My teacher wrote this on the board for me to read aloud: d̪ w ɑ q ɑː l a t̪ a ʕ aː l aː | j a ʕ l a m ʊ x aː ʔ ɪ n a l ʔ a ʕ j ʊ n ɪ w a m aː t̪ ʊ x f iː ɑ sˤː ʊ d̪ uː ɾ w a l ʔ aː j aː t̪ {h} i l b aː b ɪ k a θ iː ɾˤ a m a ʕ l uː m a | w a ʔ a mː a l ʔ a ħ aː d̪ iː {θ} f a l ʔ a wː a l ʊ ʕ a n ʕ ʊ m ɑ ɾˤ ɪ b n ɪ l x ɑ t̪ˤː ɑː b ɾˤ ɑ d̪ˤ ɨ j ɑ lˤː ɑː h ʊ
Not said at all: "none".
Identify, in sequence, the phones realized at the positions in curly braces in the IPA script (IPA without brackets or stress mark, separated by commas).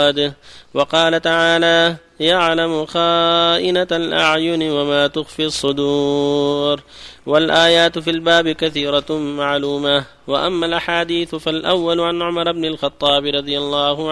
f, θ